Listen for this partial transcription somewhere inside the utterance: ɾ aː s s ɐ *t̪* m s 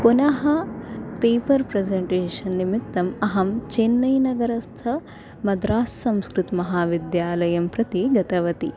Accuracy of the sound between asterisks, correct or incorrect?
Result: incorrect: none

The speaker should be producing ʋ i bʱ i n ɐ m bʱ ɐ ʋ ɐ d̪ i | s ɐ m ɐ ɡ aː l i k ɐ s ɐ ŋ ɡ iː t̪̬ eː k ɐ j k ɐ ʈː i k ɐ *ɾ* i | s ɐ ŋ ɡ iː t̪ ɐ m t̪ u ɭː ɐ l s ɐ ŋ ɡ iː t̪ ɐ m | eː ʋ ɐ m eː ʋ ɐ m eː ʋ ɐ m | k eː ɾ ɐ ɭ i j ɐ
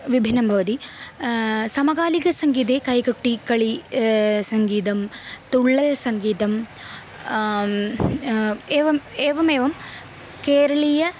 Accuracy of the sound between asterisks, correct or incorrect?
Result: incorrect: ɭ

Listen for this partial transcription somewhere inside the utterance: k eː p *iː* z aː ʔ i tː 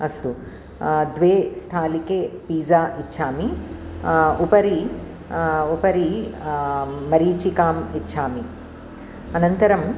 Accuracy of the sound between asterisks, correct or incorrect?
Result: correct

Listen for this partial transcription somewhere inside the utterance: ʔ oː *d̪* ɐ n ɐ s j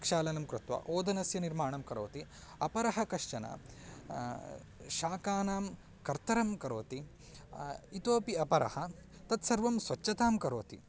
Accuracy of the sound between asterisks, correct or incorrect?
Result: correct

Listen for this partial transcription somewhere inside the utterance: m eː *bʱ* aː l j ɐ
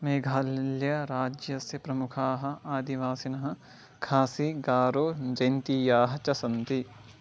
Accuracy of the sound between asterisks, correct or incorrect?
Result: incorrect: ɡʱ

